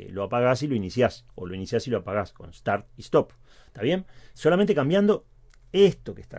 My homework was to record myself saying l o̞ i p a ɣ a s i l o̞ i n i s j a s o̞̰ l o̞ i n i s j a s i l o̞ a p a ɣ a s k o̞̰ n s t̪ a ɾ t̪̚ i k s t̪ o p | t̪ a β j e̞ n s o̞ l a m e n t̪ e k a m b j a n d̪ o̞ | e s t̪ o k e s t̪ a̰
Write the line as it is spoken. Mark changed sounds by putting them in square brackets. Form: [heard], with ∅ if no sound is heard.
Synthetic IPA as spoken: l o̞ [a] p a ɣ a s i l o̞ i n i s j a s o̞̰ l o̞ i n i s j a s i l o̞ a p a ɣ a s k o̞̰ n s t̪ a ɾ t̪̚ i [∅] s t̪ o p | t̪ a β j e̞ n s o̞ l a m e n t̪ e k a m b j a n d̪ o̞ | e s t̪ o k e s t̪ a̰